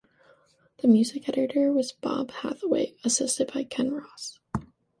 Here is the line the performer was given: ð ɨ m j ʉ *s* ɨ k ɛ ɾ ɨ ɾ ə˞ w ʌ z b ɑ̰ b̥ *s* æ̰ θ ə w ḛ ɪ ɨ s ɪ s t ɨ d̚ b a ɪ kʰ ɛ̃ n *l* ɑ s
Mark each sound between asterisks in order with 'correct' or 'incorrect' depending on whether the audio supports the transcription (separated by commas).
incorrect, incorrect, incorrect